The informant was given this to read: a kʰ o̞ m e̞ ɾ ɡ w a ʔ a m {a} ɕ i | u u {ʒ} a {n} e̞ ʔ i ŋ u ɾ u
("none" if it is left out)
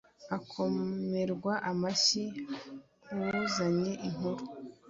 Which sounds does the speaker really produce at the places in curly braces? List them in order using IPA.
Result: a, z, ɲ

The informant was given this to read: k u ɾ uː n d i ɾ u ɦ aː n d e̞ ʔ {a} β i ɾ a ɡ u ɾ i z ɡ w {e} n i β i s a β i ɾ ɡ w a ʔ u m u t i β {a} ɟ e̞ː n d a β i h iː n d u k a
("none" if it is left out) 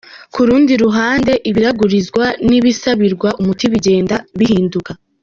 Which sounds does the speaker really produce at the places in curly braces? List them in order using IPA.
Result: i, a, i

